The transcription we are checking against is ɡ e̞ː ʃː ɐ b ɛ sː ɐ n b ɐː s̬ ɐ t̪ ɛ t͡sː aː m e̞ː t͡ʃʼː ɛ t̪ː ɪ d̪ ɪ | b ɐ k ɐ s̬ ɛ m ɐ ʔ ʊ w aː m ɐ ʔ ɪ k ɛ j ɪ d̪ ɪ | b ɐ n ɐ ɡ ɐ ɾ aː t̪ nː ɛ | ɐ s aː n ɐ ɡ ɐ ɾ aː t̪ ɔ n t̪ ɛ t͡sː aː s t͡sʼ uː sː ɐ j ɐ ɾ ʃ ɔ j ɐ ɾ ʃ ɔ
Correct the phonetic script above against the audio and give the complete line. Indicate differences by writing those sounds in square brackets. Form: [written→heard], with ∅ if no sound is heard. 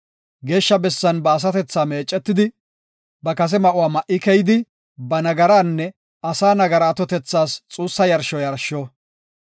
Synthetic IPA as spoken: ɡ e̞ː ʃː ɐ b ɛ sː ɐ n b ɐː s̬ ɐ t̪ ɛ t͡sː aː m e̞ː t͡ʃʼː ɛ t̪ː ɪ d̪ ɪ | b ɐ k ɐ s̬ ɛ m ɐ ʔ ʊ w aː m ɐ ʔ ɪ k ɛ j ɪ d̪ ɪ | b ɐ n ɐ ɡ ɐ ɾ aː [t̪→∅] nː ɛ | ɐ s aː n ɐ ɡ ɐ ɾ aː t̪ ɔ [n→∅] t̪ ɛ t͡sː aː s t͡sʼ uː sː ɐ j ɐ ɾ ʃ ɔ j ɐ ɾ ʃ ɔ